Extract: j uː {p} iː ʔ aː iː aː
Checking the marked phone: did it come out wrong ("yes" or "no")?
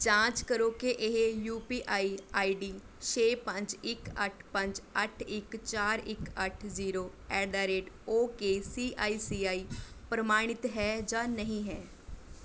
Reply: no